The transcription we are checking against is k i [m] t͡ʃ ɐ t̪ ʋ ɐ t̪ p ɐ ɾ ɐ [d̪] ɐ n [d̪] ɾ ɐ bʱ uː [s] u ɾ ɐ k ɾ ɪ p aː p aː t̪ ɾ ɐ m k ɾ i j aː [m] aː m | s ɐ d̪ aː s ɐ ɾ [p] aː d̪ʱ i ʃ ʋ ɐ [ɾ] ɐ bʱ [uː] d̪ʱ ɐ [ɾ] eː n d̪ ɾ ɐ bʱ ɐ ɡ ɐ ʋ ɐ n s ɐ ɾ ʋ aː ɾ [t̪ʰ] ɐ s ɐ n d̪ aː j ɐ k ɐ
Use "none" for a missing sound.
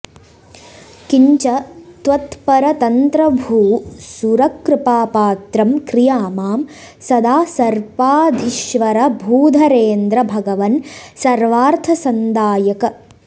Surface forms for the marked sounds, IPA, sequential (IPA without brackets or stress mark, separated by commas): ɲ, t̪, t̪, s, m, p, ɾ, uː, ɾ, t̪ʰ